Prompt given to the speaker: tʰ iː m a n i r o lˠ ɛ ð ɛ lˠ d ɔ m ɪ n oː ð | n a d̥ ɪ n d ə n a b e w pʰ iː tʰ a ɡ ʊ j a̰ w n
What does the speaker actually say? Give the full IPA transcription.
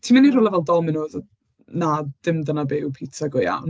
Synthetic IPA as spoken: tʰ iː m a n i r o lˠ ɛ v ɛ lˠ d ɔ m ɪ n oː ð | n a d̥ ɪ m d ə n a b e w pʰ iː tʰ a ɡ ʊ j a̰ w n